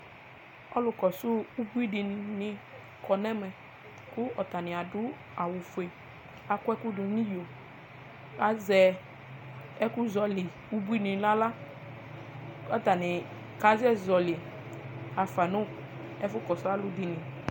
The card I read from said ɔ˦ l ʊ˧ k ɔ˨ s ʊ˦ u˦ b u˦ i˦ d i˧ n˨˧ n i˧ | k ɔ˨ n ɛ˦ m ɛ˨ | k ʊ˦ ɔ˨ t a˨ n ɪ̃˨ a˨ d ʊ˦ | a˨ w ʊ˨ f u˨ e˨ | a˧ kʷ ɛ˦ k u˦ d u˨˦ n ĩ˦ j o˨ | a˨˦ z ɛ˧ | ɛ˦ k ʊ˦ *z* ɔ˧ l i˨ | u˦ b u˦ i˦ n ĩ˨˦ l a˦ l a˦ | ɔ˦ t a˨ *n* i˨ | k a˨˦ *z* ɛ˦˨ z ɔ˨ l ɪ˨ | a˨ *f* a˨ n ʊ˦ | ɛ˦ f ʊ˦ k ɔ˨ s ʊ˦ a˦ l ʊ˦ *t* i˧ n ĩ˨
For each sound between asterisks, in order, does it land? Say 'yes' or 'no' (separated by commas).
yes, yes, yes, yes, no